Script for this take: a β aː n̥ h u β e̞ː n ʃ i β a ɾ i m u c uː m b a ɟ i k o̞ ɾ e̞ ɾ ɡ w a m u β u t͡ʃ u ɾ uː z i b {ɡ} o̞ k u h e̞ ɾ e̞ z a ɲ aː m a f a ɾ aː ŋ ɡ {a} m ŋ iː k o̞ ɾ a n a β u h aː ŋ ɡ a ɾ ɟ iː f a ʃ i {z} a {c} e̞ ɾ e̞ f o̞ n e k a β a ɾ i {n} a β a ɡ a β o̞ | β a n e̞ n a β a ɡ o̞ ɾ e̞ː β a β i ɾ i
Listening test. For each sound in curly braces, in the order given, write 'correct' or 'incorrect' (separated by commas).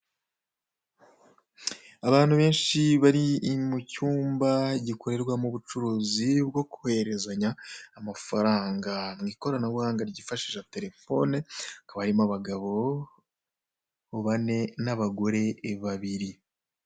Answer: correct, correct, incorrect, incorrect, incorrect